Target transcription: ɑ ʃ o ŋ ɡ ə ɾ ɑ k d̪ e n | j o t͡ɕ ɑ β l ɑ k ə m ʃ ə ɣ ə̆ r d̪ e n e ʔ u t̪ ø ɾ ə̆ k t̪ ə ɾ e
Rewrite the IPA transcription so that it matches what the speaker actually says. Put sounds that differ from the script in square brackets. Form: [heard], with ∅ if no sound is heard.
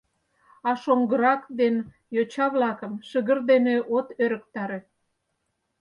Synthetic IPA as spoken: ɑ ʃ o ŋ ɡ ə ɾ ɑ k d̪ e n | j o t͡ɕ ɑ β l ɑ k ə m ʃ ə ɣ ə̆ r d̪ e n e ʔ [o] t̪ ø ɾ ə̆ k t̪ [ɑ] ɾ e